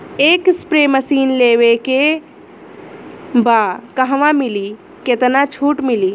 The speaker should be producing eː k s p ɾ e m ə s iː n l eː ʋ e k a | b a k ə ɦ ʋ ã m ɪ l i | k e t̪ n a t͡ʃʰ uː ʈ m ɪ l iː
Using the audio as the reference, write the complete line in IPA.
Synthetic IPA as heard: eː k s p ɾ e m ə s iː n l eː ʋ e k e | b a k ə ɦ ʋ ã m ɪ l i | k e t̪ n a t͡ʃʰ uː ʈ m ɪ l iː